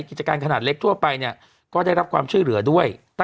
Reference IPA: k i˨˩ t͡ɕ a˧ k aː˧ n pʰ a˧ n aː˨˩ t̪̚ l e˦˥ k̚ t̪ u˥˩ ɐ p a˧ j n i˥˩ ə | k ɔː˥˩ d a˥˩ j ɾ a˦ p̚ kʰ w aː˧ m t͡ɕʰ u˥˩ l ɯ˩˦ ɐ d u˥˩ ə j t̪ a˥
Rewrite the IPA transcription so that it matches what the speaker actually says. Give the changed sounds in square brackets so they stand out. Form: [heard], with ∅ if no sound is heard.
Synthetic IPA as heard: k i˨˩ t͡ɕ a˧ k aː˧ n [kʰ] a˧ n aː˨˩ t̪̚ l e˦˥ k̚ [t̪ʰ] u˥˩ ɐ p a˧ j n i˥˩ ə | k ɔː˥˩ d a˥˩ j ɾ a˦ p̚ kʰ w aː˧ m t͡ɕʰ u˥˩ l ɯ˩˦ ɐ d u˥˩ ə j t̪ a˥